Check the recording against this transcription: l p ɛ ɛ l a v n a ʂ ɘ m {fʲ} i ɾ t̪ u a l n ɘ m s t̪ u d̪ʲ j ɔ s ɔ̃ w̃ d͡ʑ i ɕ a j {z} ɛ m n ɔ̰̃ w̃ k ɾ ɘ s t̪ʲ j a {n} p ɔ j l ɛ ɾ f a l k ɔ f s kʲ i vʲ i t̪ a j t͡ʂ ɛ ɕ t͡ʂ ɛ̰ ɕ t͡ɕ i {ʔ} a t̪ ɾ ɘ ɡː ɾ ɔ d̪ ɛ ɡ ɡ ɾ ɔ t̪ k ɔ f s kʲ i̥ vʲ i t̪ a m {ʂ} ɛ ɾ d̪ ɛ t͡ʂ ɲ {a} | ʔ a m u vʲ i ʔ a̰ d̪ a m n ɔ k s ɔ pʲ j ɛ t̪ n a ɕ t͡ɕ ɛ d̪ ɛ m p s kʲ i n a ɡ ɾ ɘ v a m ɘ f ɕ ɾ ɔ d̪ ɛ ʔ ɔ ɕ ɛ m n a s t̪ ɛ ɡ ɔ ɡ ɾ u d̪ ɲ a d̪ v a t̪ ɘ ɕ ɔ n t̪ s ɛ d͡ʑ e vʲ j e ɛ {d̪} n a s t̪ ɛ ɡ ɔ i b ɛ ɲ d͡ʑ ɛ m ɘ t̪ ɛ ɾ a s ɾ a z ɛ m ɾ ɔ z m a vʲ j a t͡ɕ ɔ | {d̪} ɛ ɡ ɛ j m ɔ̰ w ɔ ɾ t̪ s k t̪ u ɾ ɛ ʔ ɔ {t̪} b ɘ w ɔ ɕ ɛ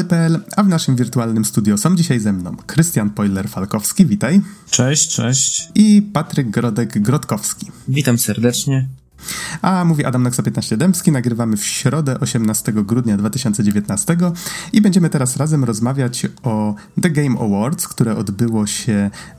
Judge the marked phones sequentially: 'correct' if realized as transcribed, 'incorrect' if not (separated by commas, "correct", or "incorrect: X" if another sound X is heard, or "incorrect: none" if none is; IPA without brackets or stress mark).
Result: incorrect: vʲ, correct, correct, incorrect: p, incorrect: s, incorrect: ɛ, incorrect: t̪, correct, incorrect: d̪